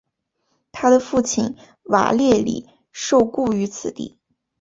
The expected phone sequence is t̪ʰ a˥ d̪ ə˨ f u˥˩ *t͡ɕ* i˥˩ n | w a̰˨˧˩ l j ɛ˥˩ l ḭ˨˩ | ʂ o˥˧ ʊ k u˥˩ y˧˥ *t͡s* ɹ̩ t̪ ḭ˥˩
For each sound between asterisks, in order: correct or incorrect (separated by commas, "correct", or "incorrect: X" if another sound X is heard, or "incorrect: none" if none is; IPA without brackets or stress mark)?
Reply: incorrect: t͡ɕʰ, incorrect: t͡sʰ